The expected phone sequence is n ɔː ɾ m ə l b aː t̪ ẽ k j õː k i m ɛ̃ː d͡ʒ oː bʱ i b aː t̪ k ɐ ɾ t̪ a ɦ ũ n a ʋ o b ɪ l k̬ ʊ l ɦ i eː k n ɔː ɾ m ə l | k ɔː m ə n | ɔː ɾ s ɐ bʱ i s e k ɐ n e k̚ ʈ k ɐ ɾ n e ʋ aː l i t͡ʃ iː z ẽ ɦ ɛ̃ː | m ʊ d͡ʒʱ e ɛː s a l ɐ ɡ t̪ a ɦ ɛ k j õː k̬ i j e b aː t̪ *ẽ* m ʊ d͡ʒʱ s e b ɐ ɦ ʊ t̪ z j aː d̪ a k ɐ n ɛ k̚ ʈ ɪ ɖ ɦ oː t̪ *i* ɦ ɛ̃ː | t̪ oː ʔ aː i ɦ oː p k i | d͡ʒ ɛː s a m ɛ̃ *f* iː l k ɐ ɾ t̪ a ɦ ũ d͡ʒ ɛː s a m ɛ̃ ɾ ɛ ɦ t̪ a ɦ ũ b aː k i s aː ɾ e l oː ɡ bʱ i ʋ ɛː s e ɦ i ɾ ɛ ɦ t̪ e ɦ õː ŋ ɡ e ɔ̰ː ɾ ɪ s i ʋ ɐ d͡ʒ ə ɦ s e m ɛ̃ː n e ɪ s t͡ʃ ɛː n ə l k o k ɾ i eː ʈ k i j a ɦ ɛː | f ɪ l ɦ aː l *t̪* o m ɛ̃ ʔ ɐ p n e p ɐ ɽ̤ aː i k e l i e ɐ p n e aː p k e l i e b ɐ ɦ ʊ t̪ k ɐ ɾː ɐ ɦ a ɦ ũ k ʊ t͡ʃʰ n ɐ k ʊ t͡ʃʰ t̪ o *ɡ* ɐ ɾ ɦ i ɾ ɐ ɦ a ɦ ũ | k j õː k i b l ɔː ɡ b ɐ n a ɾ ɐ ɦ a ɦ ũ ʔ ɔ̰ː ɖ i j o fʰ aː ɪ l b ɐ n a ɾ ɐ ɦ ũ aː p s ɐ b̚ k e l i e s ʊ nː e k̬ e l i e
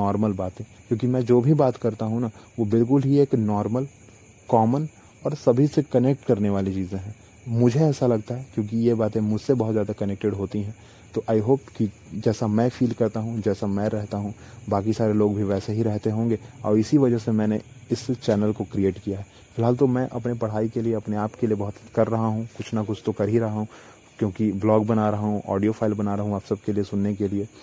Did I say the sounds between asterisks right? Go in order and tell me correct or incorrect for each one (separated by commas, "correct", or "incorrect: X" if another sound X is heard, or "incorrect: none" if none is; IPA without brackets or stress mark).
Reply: correct, correct, correct, correct, incorrect: k